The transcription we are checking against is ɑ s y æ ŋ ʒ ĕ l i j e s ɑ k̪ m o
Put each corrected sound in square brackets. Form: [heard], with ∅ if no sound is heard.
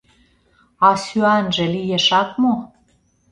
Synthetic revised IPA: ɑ s y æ [n] ʒ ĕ l i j e [ʃ] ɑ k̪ m o